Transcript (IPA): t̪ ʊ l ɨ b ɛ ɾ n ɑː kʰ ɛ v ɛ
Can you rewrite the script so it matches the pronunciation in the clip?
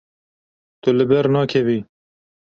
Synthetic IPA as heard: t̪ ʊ l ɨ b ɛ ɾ n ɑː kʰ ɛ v i